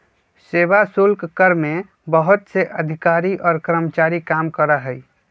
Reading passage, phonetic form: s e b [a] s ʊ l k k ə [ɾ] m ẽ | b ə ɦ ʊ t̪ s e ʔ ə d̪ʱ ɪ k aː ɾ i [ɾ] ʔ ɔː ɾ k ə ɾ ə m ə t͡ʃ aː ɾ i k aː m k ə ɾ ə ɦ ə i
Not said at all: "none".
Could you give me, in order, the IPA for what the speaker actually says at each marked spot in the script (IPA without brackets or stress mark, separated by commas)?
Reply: a, ɾ, none